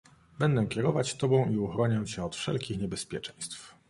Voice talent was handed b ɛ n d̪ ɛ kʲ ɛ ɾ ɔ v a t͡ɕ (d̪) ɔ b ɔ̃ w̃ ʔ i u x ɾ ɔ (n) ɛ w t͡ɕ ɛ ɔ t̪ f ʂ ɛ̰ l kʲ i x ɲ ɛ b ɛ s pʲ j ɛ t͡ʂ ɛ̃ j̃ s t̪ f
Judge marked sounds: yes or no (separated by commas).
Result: no, no